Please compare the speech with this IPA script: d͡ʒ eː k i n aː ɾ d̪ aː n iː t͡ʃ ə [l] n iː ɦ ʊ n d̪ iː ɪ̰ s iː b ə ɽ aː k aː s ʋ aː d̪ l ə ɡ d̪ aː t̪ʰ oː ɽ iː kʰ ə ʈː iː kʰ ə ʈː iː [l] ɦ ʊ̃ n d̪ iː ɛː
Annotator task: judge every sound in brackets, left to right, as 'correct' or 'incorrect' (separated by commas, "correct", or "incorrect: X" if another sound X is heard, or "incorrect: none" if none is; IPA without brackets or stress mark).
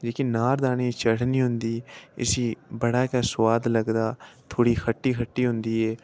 incorrect: ɽ, incorrect: none